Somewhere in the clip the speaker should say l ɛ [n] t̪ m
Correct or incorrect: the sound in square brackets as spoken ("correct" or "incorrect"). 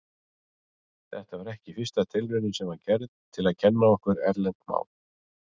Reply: correct